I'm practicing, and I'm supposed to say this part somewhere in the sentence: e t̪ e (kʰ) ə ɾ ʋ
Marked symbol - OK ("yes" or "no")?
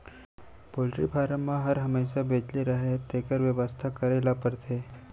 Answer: no